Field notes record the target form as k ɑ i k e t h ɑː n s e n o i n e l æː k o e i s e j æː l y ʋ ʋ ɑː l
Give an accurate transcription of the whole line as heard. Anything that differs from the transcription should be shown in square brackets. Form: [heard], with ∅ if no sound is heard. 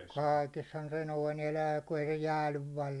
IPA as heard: k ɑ i k e [s] h [ɑ] n s e n o i n e l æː k [u] e i s e j æː l y ʋ ʋ ɑː l